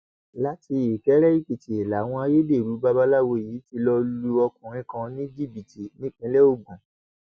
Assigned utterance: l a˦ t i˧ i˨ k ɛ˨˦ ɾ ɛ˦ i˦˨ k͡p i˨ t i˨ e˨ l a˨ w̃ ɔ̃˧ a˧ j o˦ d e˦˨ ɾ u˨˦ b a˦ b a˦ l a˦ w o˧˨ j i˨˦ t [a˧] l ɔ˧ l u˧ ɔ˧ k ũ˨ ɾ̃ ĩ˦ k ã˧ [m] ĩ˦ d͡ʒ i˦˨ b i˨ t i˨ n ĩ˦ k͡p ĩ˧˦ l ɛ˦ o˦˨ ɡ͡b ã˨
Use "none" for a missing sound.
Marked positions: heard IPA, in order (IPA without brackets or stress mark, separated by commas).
i˧, n